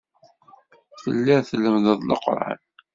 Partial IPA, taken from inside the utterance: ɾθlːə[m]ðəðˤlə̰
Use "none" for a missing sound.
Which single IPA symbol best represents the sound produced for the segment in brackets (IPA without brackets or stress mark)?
m